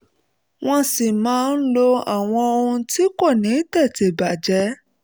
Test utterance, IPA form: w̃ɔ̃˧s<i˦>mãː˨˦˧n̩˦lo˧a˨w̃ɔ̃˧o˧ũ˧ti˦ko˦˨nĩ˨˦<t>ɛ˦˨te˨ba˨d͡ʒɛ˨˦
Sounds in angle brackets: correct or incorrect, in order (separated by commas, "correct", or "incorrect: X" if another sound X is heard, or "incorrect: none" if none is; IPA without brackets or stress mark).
incorrect: i˨, correct